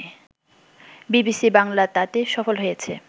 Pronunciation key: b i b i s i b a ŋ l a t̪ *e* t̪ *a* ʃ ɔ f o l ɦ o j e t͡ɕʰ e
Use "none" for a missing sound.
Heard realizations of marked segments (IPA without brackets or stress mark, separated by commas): a, e